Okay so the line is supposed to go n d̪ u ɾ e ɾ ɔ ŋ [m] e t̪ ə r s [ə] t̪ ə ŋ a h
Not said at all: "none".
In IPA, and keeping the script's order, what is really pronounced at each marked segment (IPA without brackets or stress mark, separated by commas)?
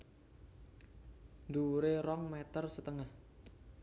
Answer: m, ə